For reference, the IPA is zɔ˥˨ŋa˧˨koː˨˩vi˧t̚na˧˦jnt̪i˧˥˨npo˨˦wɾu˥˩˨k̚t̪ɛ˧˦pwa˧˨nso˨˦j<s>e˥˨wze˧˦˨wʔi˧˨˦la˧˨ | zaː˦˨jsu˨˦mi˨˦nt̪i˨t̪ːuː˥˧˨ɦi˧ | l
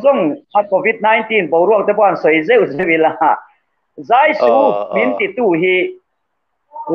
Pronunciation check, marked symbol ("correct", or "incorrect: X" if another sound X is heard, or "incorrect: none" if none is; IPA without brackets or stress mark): incorrect: z